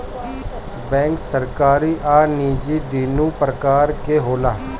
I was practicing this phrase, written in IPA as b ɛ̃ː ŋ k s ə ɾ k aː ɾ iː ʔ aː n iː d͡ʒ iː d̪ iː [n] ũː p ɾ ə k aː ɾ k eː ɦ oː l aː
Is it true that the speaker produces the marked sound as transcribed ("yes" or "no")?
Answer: yes